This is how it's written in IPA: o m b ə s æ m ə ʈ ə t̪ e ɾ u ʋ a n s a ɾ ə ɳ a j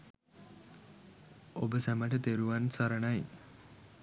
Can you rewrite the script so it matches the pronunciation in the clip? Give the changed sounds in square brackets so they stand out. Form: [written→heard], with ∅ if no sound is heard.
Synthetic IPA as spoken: o [m→∅] b ə s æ m ə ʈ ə t̪ e ɾ u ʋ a n s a ɾ ə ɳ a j